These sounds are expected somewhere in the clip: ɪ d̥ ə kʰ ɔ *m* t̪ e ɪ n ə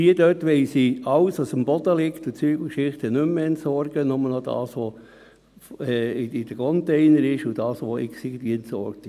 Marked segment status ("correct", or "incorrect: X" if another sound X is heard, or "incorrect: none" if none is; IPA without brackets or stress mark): incorrect: n